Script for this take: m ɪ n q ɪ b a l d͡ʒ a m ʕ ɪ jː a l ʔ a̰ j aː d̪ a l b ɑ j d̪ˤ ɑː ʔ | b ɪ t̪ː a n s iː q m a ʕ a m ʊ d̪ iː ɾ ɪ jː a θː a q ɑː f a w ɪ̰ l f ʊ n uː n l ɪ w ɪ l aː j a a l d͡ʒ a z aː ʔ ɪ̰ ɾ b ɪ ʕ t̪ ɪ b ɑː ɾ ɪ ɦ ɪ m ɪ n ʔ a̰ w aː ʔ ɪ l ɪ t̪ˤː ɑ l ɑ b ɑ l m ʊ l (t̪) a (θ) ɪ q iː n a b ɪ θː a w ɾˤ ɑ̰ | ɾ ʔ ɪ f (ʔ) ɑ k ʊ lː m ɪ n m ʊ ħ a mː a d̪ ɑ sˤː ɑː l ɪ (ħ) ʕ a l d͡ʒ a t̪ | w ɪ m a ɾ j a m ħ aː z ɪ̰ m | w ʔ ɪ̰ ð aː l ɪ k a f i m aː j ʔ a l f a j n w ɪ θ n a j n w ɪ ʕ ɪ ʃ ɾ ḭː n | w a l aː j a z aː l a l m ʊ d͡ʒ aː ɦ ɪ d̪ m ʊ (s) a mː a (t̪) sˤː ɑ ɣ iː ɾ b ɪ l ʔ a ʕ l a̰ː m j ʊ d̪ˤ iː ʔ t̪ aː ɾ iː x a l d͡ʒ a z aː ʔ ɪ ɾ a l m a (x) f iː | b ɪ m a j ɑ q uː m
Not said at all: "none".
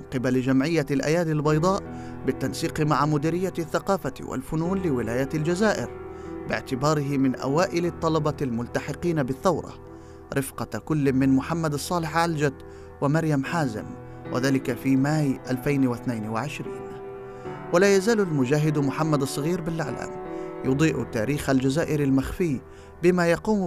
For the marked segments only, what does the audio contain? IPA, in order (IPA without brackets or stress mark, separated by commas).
t̪, ħ, q, ħ, ħ, d̪, x